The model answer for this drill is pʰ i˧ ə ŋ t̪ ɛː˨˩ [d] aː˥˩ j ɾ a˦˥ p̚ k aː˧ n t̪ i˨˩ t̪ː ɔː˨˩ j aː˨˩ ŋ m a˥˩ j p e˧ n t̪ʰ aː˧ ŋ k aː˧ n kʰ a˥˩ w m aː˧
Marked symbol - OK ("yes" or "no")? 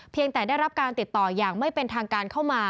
yes